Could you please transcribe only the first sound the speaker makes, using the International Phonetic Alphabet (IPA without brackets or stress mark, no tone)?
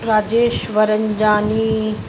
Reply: ɾ